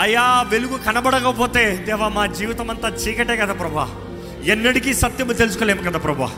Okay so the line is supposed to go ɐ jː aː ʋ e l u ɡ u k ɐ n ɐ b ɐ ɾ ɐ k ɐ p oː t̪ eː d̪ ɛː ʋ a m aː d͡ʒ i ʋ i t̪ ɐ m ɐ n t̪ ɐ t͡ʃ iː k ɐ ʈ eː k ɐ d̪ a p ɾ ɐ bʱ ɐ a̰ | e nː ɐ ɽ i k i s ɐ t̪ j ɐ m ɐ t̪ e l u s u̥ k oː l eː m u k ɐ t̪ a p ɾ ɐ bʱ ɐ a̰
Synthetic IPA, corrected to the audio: ɐ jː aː ʋ e l u ɡ u k ɐ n ɐ b ɐ ɽ ɐ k ɐ p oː t̪ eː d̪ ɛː ʋ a m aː d͡ʒ iː ʋ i t̪ ɐ m ɐ n t̪ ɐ t͡ʃ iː k ɐ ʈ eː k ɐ d̪ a p ɾ ɐ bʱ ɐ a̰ | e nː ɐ ɽ i k i s ɐ t̪ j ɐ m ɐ t̪ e l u s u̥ k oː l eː m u k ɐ d̪ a p ɾ ɐ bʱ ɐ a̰